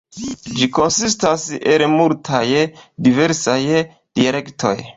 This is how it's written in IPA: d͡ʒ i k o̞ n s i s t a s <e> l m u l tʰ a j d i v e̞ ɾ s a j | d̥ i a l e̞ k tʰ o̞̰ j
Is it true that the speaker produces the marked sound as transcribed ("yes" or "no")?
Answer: yes